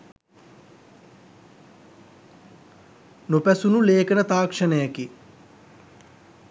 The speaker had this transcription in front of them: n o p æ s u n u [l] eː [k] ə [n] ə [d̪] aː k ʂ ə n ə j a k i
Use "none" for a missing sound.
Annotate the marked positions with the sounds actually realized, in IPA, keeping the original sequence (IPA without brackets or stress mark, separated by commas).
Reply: l, k, n, t̪